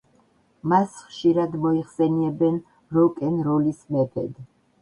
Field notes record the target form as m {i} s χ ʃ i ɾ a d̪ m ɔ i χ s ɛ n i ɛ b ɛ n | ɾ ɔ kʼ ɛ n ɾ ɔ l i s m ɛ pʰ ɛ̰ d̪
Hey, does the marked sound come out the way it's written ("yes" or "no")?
no